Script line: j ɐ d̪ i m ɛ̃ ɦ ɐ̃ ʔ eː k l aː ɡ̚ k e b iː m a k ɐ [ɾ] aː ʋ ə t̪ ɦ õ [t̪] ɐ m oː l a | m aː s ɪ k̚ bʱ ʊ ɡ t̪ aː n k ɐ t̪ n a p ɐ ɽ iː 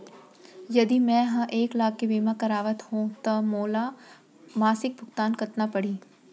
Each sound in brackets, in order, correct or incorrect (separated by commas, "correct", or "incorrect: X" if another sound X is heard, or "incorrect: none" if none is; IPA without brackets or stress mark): correct, correct